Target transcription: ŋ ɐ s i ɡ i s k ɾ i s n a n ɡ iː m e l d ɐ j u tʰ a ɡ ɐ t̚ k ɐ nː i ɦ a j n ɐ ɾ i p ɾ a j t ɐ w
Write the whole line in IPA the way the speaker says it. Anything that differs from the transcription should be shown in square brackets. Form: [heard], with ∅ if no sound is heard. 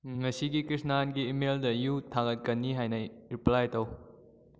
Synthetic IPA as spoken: ŋ ɐ s i ɡ i [∅] k ɾ i s n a n ɡ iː m e l d ɐ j u tʰ a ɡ ɐ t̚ k ɐ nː i ɦ a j n ɐ ɾ i p [l] a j t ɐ w